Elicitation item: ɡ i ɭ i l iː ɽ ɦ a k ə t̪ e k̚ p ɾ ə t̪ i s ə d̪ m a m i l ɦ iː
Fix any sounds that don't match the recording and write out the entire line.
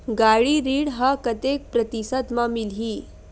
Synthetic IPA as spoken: ɡ a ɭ i ɾ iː ɽ ɦ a k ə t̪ e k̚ p ɾ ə t̪ i s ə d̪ m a m i l ɦ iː